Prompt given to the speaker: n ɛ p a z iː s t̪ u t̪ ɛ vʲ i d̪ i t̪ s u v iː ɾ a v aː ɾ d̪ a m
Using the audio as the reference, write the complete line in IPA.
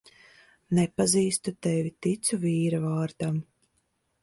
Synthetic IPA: n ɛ p a z iː s t̪ u t̪ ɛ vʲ i t̪ i t̪ s u v iː ɾ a v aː ɾ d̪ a m